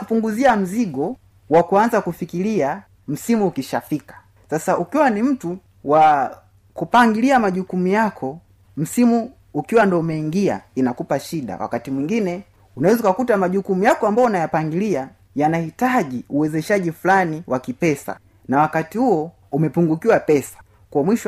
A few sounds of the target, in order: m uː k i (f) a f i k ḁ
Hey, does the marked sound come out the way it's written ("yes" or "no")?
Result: no